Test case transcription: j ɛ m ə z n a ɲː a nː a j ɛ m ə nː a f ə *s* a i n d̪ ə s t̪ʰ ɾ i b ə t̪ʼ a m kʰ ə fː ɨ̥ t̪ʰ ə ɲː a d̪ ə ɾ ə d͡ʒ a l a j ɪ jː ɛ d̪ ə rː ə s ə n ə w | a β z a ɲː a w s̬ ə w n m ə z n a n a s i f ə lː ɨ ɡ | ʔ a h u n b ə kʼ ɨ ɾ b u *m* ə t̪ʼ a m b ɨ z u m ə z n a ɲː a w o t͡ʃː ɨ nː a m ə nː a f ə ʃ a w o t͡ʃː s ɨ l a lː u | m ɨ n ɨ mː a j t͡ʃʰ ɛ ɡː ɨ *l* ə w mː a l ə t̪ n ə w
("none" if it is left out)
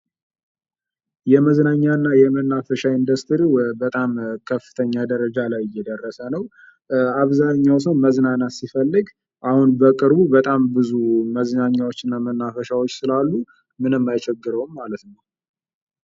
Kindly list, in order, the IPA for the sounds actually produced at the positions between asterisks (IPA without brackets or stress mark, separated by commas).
ʃ, b, ɾ